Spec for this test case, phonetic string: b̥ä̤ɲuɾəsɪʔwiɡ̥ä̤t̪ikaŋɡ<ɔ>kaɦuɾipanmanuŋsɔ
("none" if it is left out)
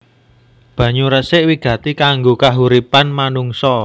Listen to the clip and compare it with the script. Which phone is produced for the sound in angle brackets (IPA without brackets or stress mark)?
o